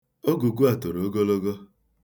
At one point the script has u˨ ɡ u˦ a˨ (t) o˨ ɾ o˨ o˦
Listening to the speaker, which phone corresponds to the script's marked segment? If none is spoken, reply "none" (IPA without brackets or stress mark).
t